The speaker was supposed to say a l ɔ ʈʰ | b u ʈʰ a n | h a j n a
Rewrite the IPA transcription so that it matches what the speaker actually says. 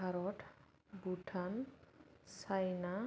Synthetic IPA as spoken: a ɾ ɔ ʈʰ | b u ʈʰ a n | s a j n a